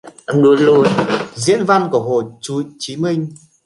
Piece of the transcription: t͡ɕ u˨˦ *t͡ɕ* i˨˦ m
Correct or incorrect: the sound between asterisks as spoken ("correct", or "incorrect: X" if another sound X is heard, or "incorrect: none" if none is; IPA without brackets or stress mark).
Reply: correct